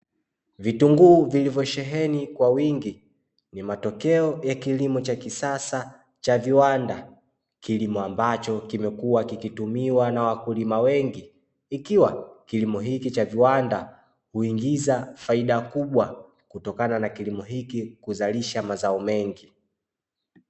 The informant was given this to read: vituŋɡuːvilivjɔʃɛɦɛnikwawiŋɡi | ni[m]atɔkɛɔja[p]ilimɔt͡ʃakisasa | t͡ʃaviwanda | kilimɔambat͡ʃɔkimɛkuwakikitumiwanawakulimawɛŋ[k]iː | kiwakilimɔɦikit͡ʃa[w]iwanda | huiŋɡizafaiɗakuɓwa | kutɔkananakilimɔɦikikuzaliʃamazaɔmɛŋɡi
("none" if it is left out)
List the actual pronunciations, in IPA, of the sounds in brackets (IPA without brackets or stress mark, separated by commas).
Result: m, k, ɡ, v